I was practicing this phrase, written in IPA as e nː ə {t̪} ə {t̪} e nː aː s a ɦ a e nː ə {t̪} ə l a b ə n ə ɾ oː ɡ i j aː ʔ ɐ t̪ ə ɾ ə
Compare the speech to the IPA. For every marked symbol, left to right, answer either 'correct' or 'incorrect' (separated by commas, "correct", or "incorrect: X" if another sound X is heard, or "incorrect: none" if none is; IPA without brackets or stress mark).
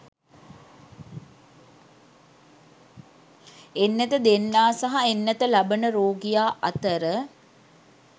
correct, incorrect: d̪, correct